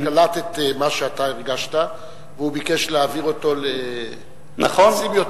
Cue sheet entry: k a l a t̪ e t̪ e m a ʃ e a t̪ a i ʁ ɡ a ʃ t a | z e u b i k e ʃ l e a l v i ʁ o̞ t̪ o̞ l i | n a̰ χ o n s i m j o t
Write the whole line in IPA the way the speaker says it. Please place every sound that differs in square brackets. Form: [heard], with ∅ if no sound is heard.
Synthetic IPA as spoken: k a l a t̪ e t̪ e m a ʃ e a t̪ a i ʁ ɡ a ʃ t a | [v] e u b i k e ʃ l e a [∅] v i ʁ o̞ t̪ o̞ l [e] | n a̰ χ o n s i m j o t